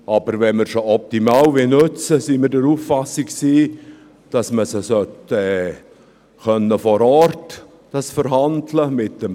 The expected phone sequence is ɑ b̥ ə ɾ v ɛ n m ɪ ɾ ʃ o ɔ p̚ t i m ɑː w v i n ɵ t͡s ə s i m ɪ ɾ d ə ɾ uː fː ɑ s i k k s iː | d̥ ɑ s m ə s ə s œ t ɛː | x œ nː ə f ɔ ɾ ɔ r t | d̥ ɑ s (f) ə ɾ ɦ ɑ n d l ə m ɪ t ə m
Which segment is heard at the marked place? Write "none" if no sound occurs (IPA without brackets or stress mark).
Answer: f